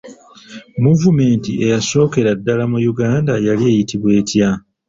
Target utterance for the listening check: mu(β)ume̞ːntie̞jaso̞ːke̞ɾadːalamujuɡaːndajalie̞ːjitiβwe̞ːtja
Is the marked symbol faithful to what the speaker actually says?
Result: no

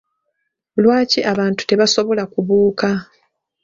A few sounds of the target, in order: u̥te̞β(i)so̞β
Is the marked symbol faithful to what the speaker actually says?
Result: no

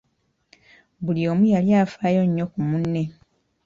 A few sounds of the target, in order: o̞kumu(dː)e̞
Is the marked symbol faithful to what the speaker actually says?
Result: no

